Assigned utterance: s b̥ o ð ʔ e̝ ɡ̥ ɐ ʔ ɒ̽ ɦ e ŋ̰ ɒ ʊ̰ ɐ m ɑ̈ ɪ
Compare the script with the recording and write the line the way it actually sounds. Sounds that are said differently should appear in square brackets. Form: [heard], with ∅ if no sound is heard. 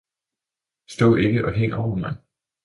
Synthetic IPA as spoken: s [d̥] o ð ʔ e̝ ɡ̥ [ə] ʔ ɒ̽ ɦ e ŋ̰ ɒ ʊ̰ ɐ m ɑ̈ ɪ